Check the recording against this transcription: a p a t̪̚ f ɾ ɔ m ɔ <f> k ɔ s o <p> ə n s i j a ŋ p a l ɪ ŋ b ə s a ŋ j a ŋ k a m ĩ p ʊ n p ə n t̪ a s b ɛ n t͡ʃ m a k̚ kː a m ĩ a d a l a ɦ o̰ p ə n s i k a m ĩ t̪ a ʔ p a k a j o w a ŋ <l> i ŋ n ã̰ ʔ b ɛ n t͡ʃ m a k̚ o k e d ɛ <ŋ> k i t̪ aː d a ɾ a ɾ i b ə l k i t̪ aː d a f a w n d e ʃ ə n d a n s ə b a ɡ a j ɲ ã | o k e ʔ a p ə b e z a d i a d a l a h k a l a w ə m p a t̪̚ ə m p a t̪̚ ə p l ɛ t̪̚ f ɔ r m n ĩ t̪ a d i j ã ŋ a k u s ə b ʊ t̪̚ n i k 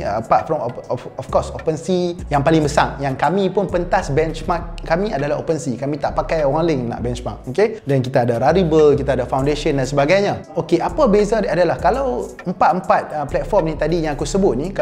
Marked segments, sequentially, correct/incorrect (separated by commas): correct, correct, correct, incorrect